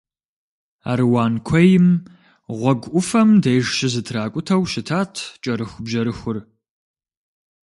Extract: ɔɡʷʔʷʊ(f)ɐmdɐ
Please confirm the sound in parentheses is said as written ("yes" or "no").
yes